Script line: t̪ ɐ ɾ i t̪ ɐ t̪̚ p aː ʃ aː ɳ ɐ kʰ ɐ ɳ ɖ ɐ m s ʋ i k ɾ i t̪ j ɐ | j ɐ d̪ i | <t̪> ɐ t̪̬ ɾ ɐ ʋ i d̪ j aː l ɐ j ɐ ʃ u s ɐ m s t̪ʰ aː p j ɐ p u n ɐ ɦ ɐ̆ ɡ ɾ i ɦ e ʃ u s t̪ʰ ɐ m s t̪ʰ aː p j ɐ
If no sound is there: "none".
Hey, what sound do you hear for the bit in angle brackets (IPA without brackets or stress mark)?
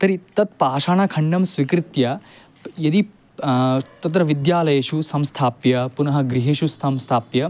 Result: t̪